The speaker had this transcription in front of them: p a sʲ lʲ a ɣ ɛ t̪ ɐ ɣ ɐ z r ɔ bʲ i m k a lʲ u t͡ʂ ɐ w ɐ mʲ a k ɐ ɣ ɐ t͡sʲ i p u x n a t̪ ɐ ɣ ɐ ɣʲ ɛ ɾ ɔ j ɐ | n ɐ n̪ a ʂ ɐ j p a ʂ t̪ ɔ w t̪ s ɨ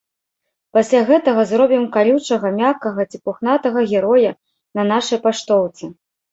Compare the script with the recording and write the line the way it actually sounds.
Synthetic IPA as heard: p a sʲ lʲ a ɣ ɛ t̪ ɐ ɣ ɐ z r ɔ bʲ i m k a lʲ u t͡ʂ ɐ ɣ ɐ mʲ a k ɐ ɣ ɐ t͡sʲ i p u x n a t̪ ɐ ɣ ɐ ɣʲ ɛ ɾ ɔ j ɐ | n ɐ n̪ a ʂ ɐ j p a ʂ t̪ ɔ w t̪ s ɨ